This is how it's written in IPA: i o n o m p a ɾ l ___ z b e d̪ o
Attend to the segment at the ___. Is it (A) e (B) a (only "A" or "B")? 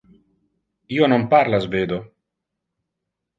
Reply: B